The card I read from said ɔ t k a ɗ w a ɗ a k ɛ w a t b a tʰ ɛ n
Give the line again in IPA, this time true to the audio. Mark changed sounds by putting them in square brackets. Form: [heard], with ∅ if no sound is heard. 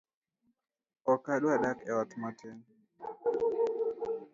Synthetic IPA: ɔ [∅] k a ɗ w a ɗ a k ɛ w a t [m] a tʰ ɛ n